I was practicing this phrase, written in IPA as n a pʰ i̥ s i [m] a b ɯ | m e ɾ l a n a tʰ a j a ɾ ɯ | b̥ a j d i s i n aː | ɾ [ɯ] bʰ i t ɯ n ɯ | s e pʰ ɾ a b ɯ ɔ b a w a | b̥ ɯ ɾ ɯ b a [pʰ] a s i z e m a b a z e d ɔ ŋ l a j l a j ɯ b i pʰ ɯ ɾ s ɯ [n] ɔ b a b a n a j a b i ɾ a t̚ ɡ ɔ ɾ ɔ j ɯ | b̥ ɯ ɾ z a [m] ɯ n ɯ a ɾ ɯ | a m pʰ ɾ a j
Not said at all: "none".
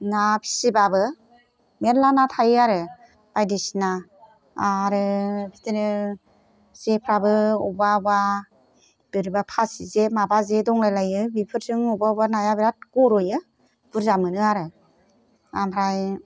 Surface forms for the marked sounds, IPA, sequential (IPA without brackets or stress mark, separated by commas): b, ɯ, pʰ, ŋ, m